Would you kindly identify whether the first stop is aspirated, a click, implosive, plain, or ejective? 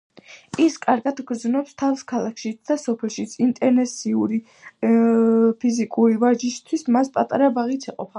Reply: ejective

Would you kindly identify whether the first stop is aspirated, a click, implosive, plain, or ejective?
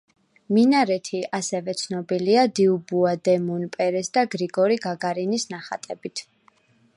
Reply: aspirated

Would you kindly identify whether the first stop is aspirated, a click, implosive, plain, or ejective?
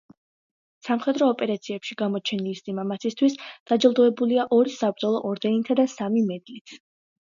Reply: plain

